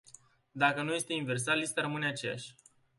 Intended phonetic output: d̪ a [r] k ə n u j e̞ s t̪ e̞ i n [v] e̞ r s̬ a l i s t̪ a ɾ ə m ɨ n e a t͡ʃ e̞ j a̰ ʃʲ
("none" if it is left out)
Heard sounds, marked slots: none, v

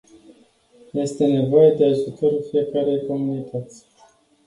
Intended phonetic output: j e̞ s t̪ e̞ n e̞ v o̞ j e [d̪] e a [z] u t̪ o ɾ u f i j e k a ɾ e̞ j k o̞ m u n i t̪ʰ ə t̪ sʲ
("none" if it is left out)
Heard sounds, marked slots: d̪, ʒ

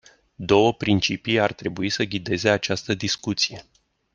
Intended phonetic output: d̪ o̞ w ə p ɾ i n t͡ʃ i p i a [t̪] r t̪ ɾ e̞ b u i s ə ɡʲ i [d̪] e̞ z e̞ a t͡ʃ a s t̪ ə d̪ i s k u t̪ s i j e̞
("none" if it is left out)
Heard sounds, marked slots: none, d̪

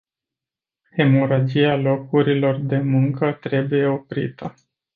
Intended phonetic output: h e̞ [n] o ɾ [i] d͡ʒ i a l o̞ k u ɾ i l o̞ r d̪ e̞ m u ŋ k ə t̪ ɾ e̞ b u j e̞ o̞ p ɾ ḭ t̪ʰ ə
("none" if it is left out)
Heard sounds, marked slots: m, a

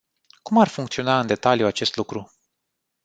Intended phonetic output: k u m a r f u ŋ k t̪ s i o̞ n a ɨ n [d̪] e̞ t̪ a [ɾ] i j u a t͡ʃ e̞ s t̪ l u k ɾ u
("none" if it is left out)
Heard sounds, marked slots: d̪, l

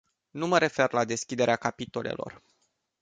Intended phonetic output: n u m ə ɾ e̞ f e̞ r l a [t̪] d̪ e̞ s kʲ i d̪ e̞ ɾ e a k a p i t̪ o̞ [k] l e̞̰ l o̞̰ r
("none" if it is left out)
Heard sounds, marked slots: none, none

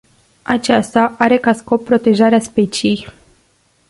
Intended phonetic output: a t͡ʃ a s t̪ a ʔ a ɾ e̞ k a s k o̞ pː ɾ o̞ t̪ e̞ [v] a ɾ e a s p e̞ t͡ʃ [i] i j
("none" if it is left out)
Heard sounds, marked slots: ʒ, i

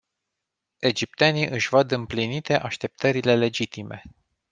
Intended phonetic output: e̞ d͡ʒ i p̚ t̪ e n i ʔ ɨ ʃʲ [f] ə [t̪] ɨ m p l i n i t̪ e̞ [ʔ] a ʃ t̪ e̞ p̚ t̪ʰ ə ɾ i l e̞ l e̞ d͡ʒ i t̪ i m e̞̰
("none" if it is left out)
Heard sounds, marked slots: v, d̪, ʔ

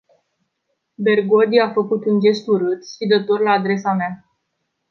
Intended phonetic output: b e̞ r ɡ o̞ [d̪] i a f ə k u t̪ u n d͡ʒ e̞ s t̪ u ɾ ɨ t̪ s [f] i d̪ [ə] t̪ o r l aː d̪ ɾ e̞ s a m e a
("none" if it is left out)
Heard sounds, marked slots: d̪, ʃ, ə

